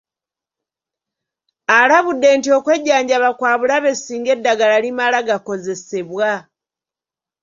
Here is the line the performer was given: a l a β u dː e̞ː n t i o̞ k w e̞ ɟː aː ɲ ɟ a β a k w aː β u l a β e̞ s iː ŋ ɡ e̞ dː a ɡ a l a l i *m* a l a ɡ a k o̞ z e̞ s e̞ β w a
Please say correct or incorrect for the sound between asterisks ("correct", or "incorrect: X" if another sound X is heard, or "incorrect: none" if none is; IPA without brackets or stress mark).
correct